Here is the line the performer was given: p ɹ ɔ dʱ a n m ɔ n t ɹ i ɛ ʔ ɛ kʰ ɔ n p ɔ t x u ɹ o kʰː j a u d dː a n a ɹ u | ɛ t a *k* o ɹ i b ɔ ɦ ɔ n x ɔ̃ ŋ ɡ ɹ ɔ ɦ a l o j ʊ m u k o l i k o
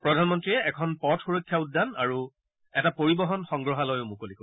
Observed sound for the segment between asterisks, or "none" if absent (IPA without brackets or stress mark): p